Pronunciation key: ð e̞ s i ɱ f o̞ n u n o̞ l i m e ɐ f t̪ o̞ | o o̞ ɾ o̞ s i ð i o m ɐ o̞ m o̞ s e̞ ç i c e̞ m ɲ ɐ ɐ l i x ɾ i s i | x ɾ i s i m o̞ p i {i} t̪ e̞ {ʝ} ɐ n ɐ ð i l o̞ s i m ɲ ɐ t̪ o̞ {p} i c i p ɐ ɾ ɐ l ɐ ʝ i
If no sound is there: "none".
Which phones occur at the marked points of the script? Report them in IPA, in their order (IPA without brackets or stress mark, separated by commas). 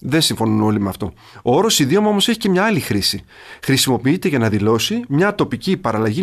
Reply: i, ʝ, p